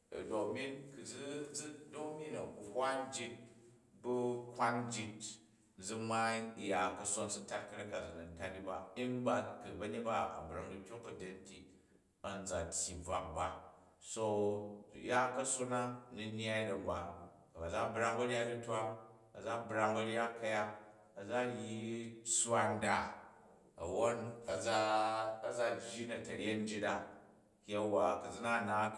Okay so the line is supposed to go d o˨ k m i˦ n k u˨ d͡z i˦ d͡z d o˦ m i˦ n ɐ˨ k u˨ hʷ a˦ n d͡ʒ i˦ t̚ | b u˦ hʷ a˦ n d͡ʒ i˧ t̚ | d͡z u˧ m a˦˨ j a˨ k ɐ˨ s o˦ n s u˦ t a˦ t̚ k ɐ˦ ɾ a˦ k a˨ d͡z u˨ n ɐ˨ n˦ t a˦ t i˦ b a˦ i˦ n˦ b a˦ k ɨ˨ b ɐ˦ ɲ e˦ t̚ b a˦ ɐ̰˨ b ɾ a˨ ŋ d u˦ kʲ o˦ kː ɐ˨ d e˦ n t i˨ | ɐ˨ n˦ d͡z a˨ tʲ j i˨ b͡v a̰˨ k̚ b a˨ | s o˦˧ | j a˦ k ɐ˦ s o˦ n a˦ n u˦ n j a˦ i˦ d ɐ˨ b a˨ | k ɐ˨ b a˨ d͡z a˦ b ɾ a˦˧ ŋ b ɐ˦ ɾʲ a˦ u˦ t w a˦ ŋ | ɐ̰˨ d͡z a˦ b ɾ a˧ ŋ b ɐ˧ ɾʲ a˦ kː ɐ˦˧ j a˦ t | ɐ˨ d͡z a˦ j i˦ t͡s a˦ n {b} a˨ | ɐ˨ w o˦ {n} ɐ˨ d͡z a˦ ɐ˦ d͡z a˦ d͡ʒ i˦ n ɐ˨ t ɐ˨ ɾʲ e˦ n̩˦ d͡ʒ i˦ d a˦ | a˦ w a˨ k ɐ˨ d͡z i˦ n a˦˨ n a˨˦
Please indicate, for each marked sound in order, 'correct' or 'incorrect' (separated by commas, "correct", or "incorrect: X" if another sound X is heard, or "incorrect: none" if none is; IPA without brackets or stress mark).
incorrect: d, correct